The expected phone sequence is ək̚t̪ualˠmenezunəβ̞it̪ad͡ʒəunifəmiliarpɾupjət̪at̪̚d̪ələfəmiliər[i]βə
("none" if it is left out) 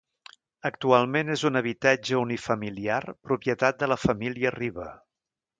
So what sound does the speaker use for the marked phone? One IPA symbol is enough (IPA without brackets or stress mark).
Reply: i